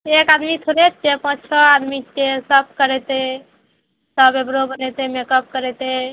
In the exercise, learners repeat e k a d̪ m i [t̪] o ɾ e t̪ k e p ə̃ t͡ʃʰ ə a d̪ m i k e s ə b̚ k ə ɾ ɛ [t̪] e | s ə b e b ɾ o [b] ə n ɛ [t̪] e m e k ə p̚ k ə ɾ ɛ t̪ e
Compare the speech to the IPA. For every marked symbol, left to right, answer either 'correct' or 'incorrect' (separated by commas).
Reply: incorrect, correct, correct, correct